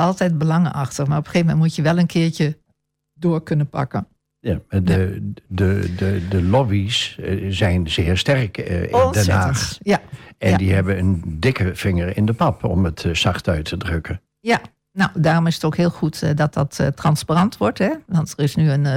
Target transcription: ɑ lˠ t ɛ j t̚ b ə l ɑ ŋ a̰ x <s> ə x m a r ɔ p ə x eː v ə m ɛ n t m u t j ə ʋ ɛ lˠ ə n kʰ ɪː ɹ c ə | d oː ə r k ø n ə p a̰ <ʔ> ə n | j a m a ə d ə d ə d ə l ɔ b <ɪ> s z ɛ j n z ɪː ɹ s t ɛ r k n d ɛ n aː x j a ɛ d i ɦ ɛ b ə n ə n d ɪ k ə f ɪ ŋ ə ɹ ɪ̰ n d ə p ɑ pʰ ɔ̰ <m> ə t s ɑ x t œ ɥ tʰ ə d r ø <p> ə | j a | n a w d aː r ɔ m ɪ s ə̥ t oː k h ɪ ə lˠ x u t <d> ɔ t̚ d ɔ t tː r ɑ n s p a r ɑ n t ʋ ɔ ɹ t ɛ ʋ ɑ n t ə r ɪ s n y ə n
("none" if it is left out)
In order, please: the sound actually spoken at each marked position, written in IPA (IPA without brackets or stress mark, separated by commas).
t, k, i, m, k, d